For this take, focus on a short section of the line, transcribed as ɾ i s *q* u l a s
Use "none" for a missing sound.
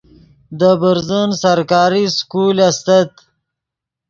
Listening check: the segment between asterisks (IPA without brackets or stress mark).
k